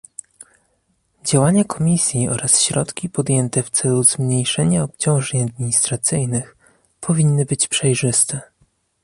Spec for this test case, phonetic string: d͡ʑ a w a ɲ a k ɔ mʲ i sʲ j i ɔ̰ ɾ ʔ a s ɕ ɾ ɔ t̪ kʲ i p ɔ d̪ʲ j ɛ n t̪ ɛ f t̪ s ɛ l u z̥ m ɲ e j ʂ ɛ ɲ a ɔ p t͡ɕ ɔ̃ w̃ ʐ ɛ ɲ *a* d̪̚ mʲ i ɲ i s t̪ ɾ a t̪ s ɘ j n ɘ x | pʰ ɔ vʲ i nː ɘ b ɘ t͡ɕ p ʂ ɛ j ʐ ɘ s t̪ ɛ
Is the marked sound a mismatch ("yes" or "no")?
no